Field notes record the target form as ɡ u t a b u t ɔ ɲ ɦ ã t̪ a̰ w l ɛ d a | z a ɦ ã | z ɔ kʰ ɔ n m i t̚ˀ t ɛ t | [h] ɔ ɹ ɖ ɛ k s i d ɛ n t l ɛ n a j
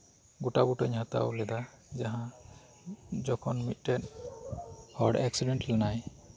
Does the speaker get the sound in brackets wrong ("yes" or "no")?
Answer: no